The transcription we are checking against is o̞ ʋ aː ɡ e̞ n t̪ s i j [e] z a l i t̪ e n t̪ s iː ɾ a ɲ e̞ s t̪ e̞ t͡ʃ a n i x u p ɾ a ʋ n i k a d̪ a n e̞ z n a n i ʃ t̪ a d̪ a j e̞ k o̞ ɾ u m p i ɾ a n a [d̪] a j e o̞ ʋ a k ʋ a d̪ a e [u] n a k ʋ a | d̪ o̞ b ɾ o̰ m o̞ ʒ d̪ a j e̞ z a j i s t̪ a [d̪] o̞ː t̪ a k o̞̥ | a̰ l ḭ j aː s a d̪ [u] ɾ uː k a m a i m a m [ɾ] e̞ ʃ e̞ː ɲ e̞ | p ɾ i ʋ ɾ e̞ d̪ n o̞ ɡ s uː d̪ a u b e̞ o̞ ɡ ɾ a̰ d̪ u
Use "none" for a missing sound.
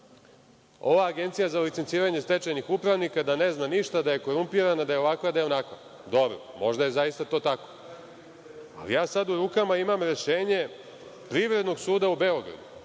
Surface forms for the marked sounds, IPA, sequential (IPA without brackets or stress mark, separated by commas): a, d̪, o, t̪, u, ɾ